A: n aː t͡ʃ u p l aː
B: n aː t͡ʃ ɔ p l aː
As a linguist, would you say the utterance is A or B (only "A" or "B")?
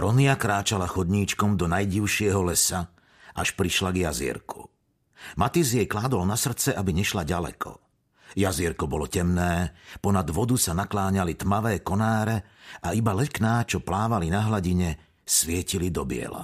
B